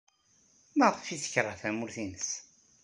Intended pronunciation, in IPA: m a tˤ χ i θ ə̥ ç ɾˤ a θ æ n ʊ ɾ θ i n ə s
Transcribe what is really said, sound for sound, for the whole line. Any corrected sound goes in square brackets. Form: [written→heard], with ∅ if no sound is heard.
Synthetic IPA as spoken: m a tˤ [χ→f] i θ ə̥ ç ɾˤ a θ æ [n→m] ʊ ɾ θ i n ə s